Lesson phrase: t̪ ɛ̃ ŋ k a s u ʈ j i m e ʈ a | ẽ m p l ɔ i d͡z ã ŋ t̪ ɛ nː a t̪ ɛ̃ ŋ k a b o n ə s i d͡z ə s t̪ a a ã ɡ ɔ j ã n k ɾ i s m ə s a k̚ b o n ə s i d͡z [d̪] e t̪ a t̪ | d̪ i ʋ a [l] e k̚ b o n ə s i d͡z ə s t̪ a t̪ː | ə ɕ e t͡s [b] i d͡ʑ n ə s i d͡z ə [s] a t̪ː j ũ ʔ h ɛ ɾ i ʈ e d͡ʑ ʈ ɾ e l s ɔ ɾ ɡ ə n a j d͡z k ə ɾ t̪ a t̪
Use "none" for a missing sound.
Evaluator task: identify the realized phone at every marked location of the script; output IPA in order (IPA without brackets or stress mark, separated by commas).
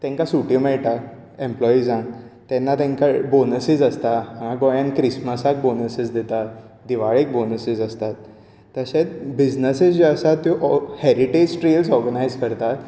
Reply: d̪, ɭ, b, s